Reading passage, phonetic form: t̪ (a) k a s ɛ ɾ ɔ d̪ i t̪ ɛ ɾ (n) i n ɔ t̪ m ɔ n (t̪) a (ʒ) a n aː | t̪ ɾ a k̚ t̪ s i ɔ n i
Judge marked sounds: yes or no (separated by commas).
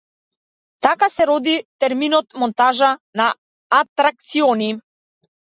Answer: yes, no, yes, yes